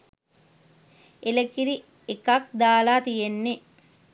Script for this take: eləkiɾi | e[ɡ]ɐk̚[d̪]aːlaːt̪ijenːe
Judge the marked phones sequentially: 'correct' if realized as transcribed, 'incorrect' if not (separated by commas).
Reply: incorrect, correct